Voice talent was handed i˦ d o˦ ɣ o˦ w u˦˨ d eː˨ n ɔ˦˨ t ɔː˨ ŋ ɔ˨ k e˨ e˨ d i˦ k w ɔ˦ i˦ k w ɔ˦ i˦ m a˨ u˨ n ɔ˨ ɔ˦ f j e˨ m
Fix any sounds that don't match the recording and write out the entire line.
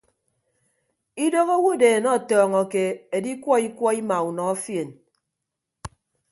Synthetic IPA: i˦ d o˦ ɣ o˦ w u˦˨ d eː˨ n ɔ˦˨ t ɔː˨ ŋ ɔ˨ k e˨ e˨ d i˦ k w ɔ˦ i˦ k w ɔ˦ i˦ m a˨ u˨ n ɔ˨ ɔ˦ f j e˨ n

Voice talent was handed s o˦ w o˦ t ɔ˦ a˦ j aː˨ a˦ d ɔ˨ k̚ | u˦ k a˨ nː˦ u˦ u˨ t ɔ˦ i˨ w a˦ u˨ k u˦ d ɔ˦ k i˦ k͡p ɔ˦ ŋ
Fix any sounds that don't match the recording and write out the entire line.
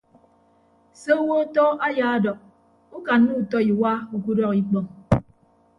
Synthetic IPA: s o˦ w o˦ t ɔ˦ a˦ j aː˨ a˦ d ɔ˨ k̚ | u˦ k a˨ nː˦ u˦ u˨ t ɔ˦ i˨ w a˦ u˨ k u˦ d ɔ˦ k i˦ k͡p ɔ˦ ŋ

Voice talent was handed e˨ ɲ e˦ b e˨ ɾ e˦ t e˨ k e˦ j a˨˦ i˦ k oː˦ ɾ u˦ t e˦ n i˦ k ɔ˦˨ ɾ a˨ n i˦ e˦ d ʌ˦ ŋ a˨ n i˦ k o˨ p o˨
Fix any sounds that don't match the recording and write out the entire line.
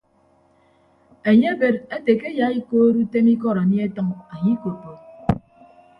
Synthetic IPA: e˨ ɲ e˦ b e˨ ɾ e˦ t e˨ k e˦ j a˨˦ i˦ k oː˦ ɾ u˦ t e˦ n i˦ k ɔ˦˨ ɾ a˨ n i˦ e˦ t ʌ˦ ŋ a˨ ɲ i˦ k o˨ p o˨

